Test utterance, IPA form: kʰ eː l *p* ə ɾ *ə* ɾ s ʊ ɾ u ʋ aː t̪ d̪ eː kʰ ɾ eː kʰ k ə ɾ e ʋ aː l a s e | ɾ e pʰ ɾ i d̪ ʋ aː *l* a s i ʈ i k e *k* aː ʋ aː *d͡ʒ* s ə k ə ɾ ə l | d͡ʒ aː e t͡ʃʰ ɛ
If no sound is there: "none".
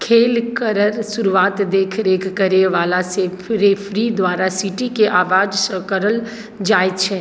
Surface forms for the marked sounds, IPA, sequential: k, ə, ɾ, ʔ, d͡ʒ

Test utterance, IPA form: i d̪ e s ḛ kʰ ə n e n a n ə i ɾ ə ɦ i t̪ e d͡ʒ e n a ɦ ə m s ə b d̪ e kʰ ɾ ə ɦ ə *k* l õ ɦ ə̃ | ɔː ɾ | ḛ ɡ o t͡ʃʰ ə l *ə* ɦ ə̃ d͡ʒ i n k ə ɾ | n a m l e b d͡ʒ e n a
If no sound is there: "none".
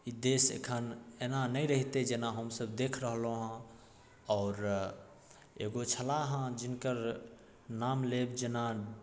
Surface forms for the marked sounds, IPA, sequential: none, a

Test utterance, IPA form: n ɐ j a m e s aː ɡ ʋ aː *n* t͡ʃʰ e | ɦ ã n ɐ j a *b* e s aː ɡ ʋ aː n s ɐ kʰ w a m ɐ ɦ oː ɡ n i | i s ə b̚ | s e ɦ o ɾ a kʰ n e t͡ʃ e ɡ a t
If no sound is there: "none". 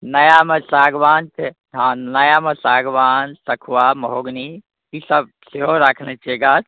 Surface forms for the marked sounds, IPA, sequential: n, m

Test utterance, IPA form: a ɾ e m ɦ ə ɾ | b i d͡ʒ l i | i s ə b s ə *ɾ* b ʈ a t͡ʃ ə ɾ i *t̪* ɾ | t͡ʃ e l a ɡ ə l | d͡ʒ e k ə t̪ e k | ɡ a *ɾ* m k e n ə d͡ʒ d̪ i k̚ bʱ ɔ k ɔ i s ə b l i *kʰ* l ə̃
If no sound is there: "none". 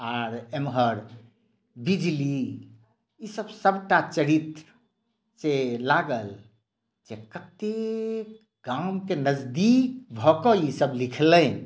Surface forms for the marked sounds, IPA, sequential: none, t̪, none, kʰ

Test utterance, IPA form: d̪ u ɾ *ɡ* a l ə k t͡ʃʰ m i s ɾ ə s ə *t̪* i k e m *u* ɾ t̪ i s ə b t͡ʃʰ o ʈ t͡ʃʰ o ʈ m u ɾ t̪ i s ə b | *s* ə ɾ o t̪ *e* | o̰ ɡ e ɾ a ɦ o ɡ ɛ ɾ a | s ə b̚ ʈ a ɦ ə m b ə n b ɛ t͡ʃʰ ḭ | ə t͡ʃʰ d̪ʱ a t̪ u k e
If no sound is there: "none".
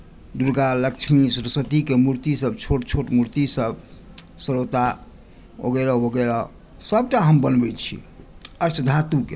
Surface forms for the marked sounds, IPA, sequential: ɡ, t̪, u, s, a

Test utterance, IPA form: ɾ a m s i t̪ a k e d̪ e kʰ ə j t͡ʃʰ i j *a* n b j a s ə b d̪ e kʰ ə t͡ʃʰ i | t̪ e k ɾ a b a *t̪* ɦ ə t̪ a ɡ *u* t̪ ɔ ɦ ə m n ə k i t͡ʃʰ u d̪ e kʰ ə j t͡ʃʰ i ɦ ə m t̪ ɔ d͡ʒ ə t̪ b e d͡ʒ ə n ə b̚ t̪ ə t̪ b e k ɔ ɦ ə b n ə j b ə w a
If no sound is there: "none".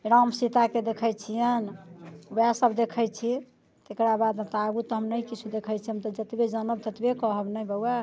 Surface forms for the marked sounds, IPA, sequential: ə, d̪, u

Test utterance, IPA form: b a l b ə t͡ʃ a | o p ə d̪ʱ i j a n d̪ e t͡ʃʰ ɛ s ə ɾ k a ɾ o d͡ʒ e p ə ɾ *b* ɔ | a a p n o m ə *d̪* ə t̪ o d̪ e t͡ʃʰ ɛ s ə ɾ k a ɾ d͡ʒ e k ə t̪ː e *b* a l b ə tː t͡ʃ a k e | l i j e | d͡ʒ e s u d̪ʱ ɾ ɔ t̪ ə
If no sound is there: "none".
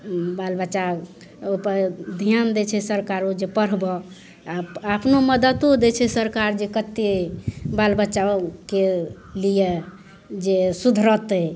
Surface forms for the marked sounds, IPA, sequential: b, d̪, b

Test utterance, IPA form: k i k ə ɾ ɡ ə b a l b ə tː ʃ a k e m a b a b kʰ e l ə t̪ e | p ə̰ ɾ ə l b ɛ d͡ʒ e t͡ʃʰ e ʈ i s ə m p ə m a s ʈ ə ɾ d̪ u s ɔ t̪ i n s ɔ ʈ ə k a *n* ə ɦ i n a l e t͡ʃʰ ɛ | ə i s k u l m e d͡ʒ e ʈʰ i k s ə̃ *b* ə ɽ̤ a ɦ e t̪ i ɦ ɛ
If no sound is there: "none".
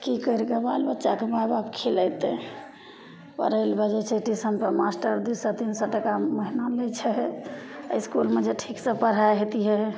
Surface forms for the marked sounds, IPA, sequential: m, p

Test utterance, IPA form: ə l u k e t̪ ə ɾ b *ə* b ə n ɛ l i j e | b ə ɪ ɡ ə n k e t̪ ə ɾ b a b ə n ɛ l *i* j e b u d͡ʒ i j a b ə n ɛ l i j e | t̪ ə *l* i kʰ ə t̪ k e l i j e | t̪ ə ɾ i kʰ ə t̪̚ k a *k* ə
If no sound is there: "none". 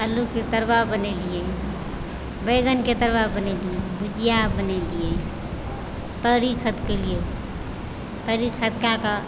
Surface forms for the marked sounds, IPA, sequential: a, i, ɾ, k

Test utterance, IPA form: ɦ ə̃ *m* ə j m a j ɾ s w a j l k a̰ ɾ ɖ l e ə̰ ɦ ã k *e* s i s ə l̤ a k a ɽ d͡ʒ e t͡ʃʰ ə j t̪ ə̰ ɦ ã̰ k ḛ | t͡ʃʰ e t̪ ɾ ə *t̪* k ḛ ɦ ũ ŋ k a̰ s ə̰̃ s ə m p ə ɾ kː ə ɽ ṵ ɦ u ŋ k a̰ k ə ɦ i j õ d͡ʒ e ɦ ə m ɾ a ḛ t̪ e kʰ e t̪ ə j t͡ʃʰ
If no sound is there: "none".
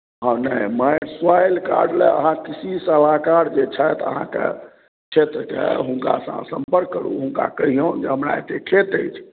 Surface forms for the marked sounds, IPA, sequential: n, i, none

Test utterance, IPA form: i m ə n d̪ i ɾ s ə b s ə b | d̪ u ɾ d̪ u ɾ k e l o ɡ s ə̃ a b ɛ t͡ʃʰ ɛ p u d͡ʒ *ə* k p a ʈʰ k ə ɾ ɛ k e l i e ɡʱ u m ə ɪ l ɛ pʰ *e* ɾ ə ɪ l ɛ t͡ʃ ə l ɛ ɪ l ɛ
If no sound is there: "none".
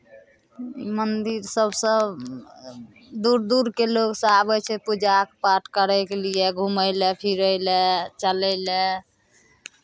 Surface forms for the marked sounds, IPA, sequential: a, i

